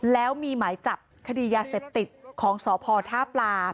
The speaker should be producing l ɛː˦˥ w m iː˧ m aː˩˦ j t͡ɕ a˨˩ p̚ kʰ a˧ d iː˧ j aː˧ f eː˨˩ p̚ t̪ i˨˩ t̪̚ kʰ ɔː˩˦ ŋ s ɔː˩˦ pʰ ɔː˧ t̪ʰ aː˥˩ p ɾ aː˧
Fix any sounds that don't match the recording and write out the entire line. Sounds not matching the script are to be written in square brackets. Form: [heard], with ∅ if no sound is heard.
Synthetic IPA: l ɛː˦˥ w m iː˧ m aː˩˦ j t͡ɕ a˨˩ p̚ kʰ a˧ d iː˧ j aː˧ [s] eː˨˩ p̚ t̪ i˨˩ t̪̚ kʰ ɔː˩˦ ŋ s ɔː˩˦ pʰ ɔː˧ t̪ʰ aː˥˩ p [l] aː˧